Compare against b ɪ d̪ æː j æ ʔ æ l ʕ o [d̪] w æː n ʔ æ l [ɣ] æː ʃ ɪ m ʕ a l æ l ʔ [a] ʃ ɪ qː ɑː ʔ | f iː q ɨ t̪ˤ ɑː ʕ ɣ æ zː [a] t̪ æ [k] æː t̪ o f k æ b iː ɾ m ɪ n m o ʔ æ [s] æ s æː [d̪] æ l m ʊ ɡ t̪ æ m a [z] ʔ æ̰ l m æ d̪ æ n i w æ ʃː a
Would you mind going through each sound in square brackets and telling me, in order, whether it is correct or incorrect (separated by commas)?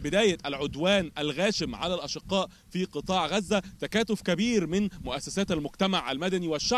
correct, correct, incorrect, incorrect, correct, incorrect, incorrect, incorrect